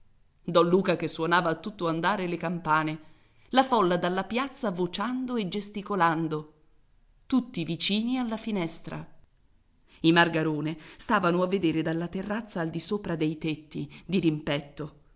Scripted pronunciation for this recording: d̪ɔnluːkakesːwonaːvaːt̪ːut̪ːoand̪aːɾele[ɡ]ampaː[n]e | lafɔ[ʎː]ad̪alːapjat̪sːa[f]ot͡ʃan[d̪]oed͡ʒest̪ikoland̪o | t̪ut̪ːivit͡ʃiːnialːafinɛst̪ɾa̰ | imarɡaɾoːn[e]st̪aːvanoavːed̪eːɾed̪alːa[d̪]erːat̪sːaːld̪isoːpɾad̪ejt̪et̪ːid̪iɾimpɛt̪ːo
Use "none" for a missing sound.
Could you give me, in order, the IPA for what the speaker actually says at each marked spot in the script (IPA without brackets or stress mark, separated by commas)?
k, n, lː, v, d̪, e, t̪